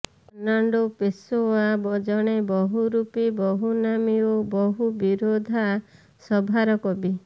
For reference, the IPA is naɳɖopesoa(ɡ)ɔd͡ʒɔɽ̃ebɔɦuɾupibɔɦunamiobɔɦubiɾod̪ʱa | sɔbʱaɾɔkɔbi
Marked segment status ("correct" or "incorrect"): incorrect